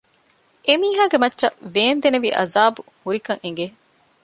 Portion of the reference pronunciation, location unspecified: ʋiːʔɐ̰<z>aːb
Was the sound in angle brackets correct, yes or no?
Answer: yes